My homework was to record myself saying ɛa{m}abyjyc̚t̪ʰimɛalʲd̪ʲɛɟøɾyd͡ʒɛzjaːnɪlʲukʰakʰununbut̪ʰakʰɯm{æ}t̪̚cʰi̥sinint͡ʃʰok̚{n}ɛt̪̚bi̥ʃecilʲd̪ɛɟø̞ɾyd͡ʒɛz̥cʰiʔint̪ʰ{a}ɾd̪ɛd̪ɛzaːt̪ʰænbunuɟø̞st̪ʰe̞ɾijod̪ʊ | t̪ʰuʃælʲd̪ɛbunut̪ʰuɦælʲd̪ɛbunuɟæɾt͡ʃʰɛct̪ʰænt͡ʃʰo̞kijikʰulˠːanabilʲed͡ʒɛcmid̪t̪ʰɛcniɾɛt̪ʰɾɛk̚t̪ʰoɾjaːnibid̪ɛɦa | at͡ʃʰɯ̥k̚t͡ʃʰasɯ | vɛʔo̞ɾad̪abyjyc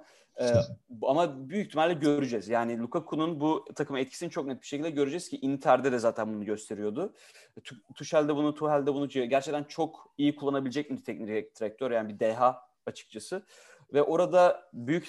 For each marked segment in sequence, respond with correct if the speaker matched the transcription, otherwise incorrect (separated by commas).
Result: correct, incorrect, correct, incorrect